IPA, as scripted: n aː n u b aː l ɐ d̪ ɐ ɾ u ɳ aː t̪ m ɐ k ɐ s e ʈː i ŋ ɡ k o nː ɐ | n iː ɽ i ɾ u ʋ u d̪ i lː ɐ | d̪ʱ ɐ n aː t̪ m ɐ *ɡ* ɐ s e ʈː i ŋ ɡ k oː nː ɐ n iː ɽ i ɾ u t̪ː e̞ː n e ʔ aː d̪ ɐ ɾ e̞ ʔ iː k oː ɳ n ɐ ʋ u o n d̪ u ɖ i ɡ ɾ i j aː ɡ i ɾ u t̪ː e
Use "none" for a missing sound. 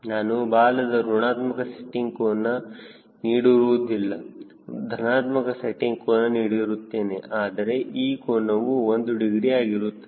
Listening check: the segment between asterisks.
k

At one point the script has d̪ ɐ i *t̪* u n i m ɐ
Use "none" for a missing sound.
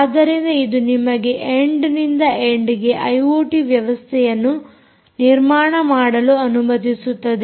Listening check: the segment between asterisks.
d̪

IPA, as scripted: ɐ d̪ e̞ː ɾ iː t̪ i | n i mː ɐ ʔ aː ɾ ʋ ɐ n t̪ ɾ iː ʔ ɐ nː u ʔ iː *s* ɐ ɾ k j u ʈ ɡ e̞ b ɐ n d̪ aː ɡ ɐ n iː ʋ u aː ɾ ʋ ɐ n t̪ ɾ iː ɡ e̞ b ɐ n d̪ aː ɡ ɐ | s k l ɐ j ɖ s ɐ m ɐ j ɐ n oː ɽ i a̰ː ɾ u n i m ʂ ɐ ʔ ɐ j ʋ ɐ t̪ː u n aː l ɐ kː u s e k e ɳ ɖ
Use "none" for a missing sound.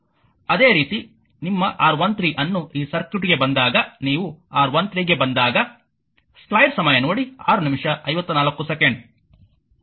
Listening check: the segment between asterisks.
s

